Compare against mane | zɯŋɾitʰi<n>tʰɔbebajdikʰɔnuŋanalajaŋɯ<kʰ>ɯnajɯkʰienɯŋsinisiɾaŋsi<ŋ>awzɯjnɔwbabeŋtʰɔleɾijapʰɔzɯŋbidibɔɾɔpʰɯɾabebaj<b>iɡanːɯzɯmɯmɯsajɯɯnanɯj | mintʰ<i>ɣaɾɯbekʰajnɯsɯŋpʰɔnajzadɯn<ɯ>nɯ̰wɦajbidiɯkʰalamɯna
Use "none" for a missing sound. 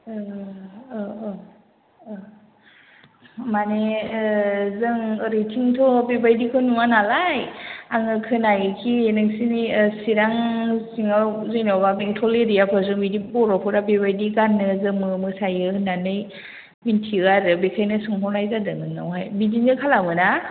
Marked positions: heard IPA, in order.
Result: ŋ, kʰ, ŋ, d, i, ɯ

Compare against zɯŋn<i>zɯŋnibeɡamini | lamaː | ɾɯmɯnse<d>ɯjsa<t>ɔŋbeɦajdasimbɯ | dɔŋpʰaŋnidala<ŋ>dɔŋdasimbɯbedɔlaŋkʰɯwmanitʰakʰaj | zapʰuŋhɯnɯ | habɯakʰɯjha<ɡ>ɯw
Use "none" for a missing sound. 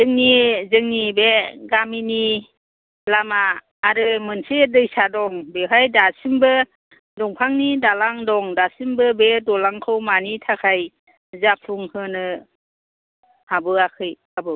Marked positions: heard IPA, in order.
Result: i, d, d, ŋ, b

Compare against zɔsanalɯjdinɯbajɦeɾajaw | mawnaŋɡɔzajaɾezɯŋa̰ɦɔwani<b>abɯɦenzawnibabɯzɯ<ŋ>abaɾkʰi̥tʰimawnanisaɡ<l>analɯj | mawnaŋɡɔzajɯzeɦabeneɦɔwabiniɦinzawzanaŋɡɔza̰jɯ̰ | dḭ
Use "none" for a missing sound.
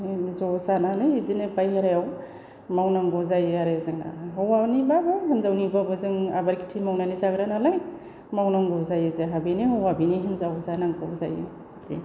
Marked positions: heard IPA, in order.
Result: b, ŋ, ɾ

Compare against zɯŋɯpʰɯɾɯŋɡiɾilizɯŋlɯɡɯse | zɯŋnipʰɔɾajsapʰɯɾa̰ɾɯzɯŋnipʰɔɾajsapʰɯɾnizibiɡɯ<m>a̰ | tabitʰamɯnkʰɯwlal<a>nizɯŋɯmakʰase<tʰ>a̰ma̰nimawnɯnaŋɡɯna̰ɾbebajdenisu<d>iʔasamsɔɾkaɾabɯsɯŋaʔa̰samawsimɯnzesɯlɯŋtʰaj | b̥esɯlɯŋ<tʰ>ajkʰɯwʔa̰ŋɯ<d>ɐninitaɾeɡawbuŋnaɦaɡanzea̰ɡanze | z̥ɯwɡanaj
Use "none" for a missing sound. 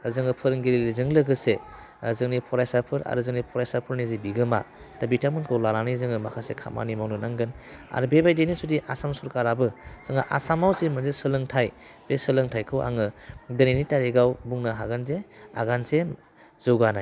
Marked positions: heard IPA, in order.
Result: m, a, kʰ, d, tʰ, d

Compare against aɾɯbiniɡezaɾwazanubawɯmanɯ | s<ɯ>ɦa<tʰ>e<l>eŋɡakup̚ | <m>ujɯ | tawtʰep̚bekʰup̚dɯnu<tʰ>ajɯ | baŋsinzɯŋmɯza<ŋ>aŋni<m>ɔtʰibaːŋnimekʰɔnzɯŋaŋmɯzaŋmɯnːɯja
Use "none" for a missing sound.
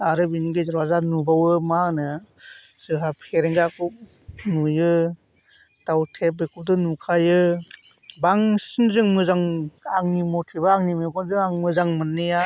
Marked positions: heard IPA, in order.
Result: ɯ, pʰ, ɾ, n, kʰ, ŋ, m

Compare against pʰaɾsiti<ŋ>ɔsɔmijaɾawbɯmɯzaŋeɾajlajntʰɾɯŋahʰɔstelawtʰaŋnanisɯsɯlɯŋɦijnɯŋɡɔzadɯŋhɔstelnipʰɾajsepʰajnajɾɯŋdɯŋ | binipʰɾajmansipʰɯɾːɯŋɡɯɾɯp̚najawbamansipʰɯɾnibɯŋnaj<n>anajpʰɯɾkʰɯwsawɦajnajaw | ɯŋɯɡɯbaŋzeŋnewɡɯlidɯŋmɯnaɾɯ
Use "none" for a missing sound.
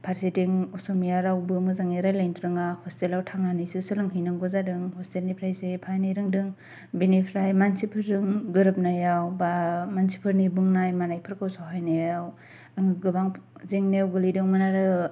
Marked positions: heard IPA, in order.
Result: ŋ, m

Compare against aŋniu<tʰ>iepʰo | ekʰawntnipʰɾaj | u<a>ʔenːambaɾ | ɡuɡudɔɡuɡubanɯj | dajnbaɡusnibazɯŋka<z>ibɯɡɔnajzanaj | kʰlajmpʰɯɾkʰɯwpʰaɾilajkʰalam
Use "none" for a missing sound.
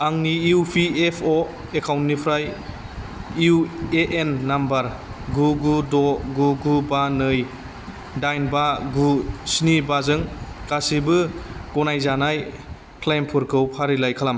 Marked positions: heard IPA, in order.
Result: pʰ, e, s

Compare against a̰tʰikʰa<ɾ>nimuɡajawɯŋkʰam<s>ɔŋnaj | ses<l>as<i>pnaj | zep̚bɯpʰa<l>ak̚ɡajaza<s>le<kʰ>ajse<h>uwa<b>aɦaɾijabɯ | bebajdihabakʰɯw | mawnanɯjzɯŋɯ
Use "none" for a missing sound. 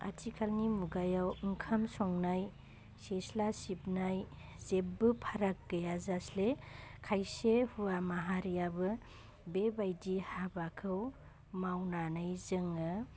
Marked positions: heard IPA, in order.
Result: l, s, l, i, ɾ, s, kʰ, h, m

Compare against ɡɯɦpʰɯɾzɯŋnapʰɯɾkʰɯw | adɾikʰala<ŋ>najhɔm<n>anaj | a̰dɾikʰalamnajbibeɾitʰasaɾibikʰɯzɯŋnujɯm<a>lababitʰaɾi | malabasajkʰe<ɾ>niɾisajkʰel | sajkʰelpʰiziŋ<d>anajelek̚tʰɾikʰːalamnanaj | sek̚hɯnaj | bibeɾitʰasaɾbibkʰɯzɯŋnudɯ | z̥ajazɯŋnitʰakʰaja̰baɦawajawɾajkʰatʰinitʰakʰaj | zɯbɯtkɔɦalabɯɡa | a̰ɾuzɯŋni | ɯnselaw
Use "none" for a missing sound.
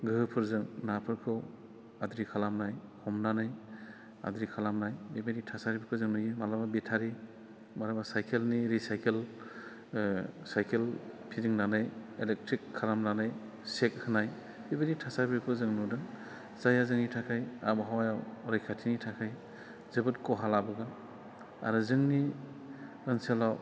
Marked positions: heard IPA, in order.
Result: m, n, a, l, n

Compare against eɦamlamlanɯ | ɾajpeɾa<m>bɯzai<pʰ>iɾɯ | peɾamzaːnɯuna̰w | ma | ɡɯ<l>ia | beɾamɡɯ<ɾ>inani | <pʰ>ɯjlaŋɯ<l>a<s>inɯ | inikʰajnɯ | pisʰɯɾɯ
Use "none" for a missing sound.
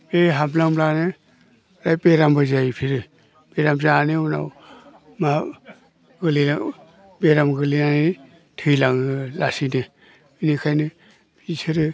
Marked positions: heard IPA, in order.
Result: m, pʰ, l, l, tʰ, l, s

